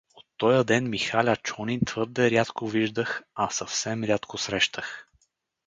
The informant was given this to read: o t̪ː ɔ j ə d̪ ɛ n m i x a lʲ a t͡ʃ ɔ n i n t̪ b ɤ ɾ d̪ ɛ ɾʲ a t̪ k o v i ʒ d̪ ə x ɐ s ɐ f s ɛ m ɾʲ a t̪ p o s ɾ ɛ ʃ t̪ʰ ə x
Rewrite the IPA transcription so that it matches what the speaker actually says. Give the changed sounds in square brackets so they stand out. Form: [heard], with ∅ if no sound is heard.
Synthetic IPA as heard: o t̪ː ɔ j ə d̪ ɛ n m i x a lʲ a t͡ʃ ɔ n i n t̪ [v] ɤ ɾ d̪ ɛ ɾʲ a t̪ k o v i ʒ d̪ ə x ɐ s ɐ f s ɛ m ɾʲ a t̪ [k] o s ɾ ɛ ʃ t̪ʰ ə x